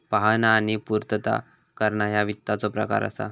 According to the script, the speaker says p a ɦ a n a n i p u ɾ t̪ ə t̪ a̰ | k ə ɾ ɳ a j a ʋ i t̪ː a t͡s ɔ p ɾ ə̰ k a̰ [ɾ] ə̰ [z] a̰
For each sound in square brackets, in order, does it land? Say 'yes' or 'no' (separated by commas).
yes, no